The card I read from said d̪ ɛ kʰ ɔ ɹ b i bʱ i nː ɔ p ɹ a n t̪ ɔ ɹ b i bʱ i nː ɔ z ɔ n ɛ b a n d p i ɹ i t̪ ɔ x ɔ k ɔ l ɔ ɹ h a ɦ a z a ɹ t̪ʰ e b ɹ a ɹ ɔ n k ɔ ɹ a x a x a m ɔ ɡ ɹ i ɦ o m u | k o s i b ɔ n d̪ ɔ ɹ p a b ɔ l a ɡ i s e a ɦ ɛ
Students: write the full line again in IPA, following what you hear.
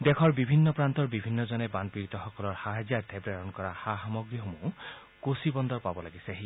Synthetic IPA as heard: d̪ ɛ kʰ ɔ ɹ b i bʱ i nː ɔ p ɹ a n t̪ ɔ ɹ b i bʱ i nː ɔ z ɔ n ɛ b a n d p i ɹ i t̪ ɔ x ɔ k ɔ l ɔ ɹ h a ɦ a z a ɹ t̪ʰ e b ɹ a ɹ ɔ n k ɔ ɹ a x a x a m ɔ ɡ ɹ i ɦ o m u | k o s i b ɔ n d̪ ɔ ɹ p a b ɔ l a ɡ i s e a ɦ i